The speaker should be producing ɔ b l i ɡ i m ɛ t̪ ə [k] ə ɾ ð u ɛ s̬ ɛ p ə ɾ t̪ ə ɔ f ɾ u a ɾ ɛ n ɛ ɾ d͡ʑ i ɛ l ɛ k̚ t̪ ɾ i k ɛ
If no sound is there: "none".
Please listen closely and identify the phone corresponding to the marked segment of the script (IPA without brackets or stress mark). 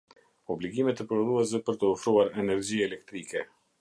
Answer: p